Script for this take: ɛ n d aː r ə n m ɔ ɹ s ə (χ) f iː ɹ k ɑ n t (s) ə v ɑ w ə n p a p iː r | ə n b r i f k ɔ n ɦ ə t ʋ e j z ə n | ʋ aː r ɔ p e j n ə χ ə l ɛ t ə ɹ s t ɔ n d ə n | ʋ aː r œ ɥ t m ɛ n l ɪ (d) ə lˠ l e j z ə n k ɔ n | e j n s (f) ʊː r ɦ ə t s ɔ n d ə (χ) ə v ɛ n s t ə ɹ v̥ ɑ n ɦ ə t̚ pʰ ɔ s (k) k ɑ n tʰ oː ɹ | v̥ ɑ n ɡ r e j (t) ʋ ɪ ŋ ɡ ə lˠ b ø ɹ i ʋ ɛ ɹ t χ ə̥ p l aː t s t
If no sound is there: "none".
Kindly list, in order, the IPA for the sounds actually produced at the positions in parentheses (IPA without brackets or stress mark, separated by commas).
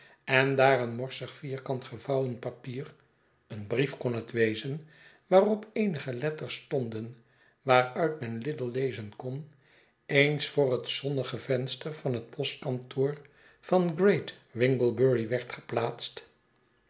χ, χ, d, f, χ, t, t